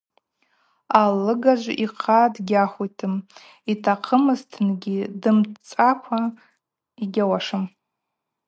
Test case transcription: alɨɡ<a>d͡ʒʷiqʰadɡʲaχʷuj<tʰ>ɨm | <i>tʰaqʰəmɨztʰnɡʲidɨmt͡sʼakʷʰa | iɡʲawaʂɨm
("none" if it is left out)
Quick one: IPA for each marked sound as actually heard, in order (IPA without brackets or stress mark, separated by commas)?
a, tʰ, i